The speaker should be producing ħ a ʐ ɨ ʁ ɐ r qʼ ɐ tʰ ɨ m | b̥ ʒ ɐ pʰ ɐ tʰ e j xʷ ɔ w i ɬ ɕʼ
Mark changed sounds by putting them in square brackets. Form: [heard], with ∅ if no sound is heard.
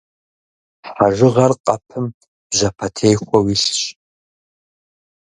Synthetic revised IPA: ħ a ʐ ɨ ʁ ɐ r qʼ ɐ [pʰ] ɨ m | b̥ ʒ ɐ pʰ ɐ tʰ e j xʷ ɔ w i ɬ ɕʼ

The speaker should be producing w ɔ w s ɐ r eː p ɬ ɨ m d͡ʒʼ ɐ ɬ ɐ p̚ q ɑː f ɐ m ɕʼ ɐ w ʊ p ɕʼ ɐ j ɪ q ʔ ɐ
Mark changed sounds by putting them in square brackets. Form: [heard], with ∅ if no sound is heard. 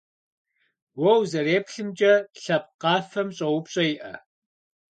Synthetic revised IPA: w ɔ w [z] ɐ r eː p ɬ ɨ m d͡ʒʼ ɐ ɬ ɐ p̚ q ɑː f ɐ m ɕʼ ɐ w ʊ p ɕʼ ɐ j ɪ [∅] ʔ ɐ

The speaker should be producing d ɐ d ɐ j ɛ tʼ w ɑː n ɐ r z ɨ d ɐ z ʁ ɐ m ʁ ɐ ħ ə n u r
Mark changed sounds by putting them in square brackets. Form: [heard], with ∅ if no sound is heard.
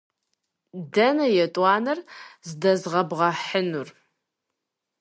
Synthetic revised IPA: d ɐ [n] ɐ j ɛ tʼ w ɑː n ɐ r z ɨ d ɐ z ʁ ɐ [b] ʁ ɐ ħ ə n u r

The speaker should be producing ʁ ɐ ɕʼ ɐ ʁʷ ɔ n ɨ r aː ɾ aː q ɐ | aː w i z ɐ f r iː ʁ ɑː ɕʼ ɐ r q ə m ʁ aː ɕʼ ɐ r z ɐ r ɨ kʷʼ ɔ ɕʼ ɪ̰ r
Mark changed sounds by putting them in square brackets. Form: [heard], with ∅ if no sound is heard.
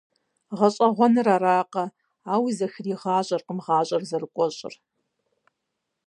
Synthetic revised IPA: ʁ ɐ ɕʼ ɐ ʁʷ ɔ n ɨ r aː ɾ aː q ɐ | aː w i z ɐ [x] r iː ʁ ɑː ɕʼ ɐ r q ə m ʁ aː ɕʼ ɐ r z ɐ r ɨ kʷʼ ɔ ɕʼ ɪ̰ r

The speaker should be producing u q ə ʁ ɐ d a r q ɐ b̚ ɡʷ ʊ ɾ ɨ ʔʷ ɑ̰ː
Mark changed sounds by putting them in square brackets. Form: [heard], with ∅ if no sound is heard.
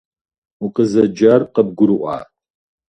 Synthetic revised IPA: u q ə [z] ɐ [d͡ʒ] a r q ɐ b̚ ɡʷ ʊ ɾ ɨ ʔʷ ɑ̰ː

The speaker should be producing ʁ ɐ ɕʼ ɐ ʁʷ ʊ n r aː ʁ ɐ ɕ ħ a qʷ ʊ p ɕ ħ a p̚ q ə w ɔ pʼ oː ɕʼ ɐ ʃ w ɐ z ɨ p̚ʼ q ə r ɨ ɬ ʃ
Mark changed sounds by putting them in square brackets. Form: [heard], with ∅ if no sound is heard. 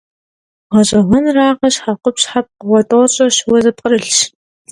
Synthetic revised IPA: ʁ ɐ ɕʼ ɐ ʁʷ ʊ n r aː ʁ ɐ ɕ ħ a qʷ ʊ p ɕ ħ a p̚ q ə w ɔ [tʼ] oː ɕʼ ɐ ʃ w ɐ z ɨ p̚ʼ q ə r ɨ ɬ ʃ

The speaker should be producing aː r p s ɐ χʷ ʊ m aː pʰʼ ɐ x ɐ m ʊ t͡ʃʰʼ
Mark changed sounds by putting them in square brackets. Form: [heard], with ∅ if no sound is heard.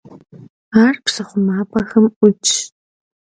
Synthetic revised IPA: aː r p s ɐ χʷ ʊ m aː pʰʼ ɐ x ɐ m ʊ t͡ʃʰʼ

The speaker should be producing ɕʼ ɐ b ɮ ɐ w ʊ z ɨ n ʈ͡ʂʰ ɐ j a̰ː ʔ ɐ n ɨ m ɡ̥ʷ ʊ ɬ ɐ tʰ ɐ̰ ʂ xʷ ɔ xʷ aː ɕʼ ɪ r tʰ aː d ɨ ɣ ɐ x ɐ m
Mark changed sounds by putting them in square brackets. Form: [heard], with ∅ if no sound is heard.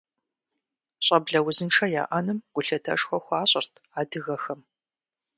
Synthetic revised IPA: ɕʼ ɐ b ɮ ɐ w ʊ z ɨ n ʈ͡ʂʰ ɐ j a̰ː ʔ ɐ n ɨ m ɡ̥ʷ ʊ ɬ ɐ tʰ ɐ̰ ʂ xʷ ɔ xʷ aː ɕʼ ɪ r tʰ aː d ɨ ɣ ɐ x ɐ m

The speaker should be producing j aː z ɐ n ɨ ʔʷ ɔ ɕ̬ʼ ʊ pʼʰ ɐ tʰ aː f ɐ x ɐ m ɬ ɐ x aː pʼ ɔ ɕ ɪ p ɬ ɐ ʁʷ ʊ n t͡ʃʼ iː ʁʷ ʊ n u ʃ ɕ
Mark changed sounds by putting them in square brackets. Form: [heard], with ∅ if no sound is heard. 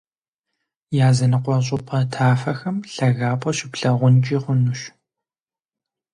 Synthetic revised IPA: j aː z ɐ n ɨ [qʷ] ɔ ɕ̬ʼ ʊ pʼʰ ɐ tʰ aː f ɐ x ɐ m ɬ ɐ [ɣ] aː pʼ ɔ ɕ ɪ p ɬ ɐ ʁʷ ʊ n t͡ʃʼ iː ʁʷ ʊ n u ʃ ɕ

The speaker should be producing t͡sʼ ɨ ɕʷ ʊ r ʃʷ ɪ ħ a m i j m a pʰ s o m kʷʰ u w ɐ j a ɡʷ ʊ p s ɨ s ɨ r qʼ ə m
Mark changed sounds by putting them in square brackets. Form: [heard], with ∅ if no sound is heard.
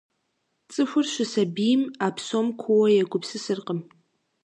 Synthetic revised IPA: t͡sʼ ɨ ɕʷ ʊ r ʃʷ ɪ [s] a [b] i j m a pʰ s o m kʷʰ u w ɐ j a ɡʷ ʊ p s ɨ s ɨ r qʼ ə m

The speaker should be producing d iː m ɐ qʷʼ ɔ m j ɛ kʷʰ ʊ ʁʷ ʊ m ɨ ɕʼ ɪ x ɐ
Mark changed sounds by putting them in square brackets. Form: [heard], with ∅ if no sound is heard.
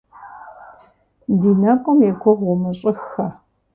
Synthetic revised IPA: d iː [n] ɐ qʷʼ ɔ m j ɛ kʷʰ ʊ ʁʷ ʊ m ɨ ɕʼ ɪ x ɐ

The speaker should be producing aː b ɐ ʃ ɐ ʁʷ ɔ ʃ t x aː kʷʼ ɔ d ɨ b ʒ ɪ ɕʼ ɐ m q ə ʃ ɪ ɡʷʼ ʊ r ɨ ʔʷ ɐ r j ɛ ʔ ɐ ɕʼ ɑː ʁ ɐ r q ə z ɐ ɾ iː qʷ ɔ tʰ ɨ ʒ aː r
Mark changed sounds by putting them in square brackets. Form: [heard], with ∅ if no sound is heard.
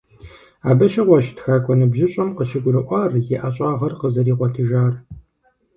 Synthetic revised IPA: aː b ɐ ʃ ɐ ʁʷ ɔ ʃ t x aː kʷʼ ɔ [n] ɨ b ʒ ɪ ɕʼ ɐ m q ə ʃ ɪ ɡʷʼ ʊ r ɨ ʔʷ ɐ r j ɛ ʔ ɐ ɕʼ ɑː ʁ ɐ r q ə z ɐ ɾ iː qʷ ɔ tʰ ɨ ʒ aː r

